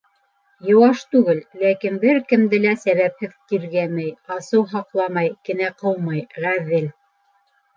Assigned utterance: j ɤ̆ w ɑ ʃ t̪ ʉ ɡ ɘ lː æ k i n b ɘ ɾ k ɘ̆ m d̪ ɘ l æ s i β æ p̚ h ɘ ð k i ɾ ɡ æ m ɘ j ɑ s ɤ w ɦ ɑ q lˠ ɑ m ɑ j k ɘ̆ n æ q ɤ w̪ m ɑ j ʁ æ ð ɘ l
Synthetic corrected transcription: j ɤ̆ w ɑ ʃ t̪ ʉ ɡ ɘ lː æ k i n b ɘ ɾ k ɘ̆ m d̪ ɘ l æ s æ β æ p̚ h ɘ ð k i ɾ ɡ æ m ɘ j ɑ s ɤ w ɦ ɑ q lˠ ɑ m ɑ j k ɘ̆ n æ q ɤ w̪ m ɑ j ʁ æ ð ɘ l